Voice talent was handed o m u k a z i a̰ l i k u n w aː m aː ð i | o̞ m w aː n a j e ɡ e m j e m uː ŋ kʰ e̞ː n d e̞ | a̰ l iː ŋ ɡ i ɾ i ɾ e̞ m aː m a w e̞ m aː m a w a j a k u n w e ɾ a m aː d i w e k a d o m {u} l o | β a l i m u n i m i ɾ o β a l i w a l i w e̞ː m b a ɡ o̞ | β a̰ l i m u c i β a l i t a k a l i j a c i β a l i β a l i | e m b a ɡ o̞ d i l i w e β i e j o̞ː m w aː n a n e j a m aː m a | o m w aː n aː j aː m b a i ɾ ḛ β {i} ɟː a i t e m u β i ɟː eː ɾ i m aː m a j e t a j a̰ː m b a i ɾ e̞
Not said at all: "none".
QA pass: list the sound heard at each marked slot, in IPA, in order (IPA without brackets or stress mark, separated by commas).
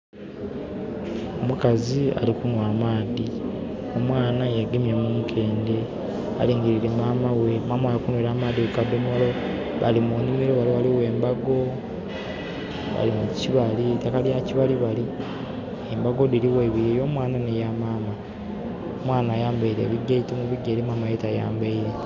o, i